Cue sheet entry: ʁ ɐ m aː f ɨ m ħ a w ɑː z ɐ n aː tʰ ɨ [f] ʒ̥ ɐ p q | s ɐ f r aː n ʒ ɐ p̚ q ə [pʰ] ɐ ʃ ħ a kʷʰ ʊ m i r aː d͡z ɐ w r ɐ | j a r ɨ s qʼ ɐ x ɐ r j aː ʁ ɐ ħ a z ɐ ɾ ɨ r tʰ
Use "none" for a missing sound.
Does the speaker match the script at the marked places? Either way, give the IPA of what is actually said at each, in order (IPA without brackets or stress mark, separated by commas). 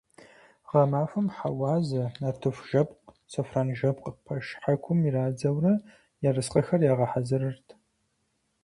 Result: f, pʰ